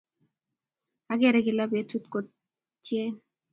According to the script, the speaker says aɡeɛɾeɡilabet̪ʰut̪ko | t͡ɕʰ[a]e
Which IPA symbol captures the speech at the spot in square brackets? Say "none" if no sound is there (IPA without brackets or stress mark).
i